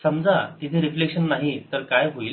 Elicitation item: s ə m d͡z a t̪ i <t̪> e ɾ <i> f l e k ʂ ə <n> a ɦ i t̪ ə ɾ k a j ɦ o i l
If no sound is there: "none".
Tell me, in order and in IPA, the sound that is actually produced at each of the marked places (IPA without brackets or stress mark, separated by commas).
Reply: t̪ʰ, i, nː